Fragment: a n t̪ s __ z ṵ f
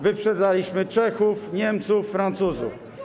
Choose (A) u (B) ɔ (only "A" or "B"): A